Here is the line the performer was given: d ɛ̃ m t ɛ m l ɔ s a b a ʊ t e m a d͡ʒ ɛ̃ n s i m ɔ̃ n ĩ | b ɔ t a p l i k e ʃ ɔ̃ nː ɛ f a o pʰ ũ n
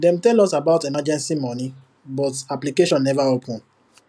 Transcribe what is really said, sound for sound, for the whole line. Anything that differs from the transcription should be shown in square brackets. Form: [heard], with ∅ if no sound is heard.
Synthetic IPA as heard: d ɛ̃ m t ɛ [∅] l ɔ s a b a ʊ t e m a d͡ʒ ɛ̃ n s i m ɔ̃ n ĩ | b ɔ t a p l i k e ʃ ɔ̃ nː ɛ [v] a o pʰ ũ n